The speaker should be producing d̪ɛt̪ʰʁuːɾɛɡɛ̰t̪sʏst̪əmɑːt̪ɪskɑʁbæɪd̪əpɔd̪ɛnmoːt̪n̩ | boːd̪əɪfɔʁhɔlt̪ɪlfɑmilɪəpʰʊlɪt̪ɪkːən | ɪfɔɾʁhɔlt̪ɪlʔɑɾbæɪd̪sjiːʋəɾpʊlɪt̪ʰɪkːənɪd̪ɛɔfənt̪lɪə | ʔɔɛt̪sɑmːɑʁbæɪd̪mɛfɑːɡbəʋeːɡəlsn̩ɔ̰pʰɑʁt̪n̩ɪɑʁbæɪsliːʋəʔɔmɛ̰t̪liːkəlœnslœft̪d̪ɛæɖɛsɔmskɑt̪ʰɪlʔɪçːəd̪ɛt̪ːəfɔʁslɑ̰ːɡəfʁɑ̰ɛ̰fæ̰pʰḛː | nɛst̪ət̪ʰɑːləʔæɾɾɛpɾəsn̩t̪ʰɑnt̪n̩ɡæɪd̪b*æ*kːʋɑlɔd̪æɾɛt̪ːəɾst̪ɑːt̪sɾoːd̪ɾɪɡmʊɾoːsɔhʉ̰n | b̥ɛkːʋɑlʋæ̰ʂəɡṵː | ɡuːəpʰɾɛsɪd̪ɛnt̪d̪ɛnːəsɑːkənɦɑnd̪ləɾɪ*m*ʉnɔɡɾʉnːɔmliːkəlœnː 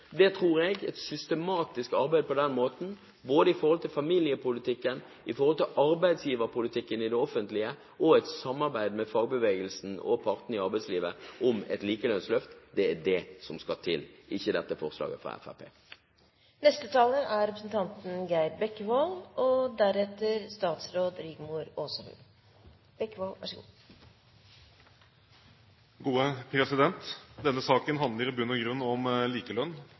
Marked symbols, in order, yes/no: no, no

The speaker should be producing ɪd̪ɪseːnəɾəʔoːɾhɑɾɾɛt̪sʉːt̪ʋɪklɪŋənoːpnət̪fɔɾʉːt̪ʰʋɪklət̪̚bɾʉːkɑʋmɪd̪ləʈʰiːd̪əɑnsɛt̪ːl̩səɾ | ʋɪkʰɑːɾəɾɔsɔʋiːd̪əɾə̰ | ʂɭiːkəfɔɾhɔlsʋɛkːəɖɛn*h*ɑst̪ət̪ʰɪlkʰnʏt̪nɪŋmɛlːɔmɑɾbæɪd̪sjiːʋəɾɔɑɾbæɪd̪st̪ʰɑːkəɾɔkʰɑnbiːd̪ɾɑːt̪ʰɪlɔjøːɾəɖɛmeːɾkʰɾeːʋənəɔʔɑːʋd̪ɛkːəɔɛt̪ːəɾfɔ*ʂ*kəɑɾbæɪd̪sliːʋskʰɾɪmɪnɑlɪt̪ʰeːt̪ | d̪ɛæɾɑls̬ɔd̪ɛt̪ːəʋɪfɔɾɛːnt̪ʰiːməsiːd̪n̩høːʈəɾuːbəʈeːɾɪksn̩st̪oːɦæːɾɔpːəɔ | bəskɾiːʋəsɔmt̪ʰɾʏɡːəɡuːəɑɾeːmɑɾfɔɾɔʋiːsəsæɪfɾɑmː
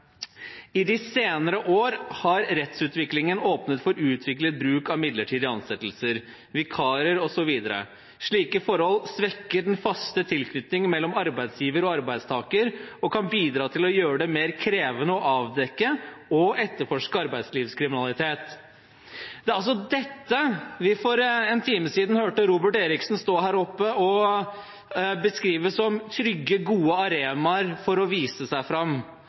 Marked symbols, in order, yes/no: no, yes

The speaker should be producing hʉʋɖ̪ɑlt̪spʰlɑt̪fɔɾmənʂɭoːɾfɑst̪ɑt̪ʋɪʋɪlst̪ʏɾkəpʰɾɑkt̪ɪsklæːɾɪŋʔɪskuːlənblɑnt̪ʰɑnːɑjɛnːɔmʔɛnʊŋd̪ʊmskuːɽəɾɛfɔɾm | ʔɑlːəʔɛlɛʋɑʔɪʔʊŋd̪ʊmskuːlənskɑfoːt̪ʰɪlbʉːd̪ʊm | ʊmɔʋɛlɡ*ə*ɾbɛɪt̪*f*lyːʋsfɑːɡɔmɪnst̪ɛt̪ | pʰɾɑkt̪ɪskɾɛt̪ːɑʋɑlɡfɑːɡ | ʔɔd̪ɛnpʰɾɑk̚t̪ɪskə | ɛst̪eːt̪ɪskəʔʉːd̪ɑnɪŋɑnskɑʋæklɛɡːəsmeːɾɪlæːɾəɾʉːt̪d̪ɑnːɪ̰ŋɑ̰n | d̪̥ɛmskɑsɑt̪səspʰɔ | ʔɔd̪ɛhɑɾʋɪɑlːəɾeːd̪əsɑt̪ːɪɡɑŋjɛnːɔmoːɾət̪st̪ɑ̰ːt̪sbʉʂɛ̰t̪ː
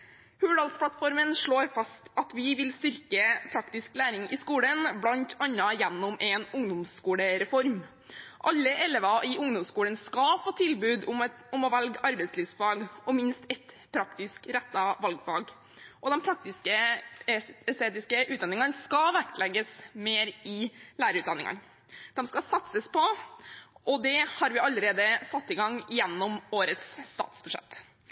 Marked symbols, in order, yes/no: no, no

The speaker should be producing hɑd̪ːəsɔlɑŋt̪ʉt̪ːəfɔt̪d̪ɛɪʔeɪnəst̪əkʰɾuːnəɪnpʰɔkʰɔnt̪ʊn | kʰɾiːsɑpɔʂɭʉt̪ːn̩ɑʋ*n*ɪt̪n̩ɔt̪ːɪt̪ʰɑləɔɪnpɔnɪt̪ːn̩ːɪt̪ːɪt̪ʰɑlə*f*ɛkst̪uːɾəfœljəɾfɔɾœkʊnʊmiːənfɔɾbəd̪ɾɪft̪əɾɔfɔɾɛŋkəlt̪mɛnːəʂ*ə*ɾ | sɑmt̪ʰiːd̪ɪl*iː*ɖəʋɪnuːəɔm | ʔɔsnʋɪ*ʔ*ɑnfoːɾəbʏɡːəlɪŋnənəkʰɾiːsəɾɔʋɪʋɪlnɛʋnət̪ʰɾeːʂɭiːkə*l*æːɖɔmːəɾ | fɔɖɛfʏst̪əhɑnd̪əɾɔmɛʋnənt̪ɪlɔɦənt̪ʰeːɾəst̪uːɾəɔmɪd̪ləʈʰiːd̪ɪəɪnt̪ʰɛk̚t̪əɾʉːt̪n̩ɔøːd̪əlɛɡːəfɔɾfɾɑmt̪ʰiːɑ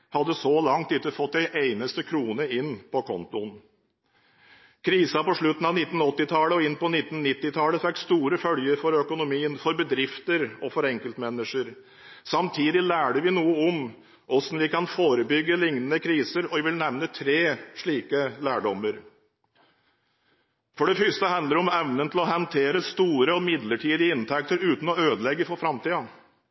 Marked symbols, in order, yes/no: yes, yes, yes, no, no, yes

